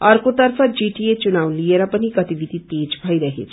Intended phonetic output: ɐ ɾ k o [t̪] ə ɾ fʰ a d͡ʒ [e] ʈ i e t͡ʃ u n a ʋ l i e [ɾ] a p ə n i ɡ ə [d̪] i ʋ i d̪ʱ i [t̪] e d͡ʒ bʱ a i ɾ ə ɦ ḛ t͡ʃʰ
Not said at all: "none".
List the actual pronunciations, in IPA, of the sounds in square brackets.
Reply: t̪, i, ɾ, t̪, t̪

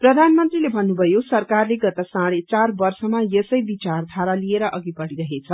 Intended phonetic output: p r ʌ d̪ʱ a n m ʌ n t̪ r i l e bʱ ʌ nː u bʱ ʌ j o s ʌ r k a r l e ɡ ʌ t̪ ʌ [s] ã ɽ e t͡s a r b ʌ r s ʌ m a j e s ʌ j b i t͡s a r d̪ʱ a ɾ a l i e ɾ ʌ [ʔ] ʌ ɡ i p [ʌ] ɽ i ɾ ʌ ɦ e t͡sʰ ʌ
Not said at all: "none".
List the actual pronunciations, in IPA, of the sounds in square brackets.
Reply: s, ʔ, ʌ

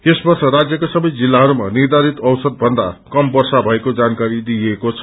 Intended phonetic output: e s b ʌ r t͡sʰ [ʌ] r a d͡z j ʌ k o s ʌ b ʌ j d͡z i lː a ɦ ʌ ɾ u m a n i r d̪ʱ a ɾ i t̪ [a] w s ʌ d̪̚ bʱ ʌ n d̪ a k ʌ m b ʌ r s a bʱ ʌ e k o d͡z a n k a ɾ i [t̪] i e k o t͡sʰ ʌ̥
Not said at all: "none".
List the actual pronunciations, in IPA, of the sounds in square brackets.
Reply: ʌ, ʌ, d̪

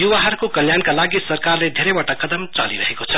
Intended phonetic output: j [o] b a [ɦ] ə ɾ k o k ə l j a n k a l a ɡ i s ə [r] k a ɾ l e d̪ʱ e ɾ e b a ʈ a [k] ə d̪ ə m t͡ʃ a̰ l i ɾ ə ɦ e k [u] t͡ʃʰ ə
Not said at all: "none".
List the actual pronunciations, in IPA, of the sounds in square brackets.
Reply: u, ɦ, ɾ, k, o

